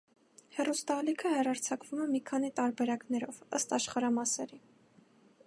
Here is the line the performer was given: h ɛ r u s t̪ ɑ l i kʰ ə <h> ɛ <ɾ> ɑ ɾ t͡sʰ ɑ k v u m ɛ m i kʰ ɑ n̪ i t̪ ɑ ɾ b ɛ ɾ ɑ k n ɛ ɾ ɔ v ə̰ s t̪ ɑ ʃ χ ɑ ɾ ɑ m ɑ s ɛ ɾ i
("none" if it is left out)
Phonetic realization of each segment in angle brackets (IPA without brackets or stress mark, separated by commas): h, r